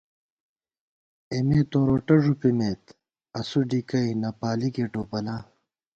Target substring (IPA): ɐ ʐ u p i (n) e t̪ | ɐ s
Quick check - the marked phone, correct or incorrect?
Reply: incorrect